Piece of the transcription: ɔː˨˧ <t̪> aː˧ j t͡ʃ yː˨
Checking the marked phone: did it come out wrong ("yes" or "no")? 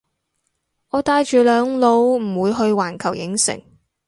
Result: no